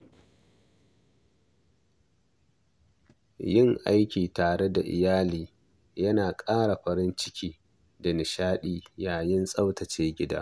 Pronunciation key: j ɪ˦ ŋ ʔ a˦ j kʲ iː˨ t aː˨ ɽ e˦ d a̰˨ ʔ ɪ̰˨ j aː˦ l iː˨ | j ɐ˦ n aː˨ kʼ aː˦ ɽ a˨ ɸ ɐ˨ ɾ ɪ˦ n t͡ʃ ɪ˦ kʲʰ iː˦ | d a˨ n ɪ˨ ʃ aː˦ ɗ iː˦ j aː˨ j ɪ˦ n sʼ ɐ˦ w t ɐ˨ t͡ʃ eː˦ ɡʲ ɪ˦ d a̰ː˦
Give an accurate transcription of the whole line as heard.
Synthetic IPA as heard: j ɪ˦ ŋ ʔ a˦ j kʲ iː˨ t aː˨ ɽ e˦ d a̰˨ ʔ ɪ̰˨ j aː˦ l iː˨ | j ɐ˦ n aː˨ kʼ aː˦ ɽ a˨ ɸ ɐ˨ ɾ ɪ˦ n t͡ʃ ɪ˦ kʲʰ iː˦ | d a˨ n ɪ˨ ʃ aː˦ ɗ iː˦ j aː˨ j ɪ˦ n sʼ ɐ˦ w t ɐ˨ t͡ʃ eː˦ ɡʲ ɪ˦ d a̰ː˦